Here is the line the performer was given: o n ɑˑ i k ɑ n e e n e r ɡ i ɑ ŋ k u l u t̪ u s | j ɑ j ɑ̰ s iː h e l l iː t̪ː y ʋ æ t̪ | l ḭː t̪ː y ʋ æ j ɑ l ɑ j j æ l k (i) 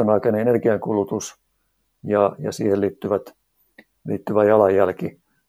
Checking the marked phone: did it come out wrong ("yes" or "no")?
no